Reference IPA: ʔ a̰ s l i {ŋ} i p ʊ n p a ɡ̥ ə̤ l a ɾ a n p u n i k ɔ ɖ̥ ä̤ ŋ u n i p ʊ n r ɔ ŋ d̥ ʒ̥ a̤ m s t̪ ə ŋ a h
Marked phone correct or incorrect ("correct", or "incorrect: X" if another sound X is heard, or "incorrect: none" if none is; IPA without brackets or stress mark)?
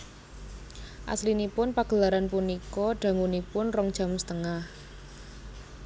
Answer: incorrect: n